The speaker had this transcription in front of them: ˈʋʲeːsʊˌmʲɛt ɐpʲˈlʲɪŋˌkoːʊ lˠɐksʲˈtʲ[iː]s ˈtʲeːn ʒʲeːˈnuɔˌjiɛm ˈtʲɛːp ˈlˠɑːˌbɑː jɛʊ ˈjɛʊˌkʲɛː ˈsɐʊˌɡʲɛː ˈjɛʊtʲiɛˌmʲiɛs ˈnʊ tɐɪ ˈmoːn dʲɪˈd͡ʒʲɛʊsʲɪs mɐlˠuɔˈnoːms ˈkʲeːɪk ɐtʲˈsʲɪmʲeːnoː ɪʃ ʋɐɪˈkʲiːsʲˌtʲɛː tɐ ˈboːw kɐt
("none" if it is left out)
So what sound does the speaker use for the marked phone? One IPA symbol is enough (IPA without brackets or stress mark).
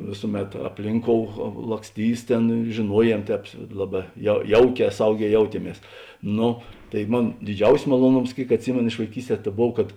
iː